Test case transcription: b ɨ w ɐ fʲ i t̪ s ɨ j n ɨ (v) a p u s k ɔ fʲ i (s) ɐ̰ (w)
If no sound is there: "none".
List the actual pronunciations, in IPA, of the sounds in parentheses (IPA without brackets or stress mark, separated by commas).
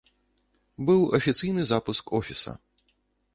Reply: z, s, none